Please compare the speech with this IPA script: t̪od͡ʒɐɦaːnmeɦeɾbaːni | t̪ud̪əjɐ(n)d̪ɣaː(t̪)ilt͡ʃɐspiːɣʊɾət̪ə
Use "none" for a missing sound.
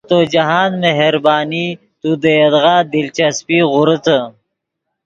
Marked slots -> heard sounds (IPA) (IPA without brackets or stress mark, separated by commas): none, d̪